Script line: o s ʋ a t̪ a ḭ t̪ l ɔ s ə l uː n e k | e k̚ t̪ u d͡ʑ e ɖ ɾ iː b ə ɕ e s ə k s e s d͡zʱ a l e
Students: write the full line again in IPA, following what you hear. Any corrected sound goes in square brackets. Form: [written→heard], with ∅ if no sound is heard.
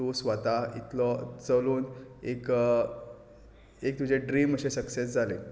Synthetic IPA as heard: o s ʋ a t̪ a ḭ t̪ l ɔ [s→t͡s] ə l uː n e k | e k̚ t̪ u d͡ʑ e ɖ ɾ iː [b→m] ə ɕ e s ə k s e s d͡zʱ a l e